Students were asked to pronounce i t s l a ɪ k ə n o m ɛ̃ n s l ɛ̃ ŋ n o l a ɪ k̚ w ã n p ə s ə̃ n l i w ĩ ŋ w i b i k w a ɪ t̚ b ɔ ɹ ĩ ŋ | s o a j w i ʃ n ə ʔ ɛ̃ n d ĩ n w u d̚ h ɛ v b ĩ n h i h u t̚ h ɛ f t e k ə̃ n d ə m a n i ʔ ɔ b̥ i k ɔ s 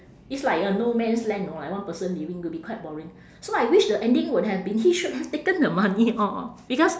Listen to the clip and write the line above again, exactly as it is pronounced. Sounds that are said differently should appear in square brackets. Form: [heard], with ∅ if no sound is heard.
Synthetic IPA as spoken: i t s l a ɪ k ə n o m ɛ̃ n s l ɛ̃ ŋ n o l a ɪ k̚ w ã n p ə s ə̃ n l i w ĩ ŋ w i b i k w a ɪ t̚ b ɔ ɹ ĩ ŋ | s o a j w i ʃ [d] ə ʔ ɛ̃ n d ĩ [ŋ] w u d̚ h ɛ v b ĩ n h i [ʃ] u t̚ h ɛ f t e k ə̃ n d ə m a n i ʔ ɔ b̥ i k ɔ s